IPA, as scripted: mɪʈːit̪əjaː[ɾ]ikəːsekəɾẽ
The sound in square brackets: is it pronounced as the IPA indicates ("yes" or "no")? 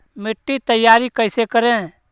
yes